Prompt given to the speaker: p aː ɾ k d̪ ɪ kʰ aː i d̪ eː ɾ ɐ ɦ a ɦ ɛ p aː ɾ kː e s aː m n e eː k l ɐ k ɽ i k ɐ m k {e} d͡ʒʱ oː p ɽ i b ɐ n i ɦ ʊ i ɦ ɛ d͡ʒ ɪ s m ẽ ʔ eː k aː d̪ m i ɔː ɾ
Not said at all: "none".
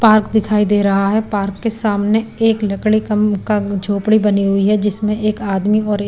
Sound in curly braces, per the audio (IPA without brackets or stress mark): a